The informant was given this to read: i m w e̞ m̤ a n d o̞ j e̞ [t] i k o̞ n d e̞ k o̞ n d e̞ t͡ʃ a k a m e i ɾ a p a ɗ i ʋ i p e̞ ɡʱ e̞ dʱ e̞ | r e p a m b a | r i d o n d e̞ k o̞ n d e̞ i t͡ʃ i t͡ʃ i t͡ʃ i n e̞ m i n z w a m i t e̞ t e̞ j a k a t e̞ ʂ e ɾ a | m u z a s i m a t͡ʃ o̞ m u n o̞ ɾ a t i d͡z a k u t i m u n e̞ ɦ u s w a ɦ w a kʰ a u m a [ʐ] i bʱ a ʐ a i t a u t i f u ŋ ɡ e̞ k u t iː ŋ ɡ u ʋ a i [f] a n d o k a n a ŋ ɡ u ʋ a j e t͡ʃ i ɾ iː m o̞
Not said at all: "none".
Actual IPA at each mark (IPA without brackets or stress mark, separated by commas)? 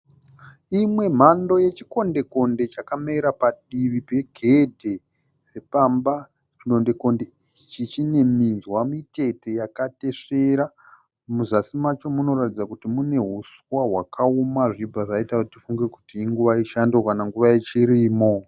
t͡ʃ, ʐ, ʃ